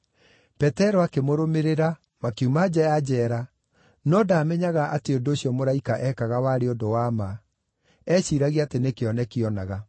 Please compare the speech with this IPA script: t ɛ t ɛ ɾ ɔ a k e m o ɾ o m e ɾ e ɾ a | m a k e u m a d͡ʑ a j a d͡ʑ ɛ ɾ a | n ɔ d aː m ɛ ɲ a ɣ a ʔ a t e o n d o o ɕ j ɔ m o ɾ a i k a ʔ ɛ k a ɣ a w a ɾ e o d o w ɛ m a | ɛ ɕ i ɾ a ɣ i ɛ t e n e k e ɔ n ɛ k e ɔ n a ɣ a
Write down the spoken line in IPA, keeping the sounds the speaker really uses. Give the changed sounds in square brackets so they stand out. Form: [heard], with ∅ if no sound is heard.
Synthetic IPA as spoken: [p] ɛ t ɛ ɾ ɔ a k e m o ɾ o m e ɾ e ɾ a | m a k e u m a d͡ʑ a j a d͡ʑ ɛ ɾ a | n ɔ d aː m ɛ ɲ a ɣ a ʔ a t e o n d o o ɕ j ɔ m o ɾ a i k a ʔ ɛ k a ɣ a w a ɾ e o d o w [a] m a | ɛ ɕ i ɾ a ɣ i [a] t e n e k e ɔ n ɛ k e ɔ n a ɣ a